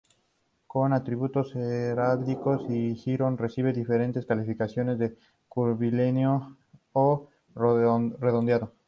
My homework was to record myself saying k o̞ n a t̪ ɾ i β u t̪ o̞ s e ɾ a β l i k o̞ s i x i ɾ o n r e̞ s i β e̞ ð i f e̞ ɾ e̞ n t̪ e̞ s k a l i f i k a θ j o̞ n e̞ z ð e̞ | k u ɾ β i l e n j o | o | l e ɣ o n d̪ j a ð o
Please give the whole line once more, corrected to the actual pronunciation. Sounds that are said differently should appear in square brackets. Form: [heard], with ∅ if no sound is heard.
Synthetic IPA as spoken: k o̞ n a t̪ ɾ i β u t̪ o̞ s e ɾ a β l i k o̞ s i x i ɾ o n r e̞ s i β e̞ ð i f e̞ ɾ e̞ n t̪ e̞ s k a l i f i k a [s] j o̞ n e̞ z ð e̞ | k u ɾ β i l e n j o | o | [r] e [ð] o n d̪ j a ð o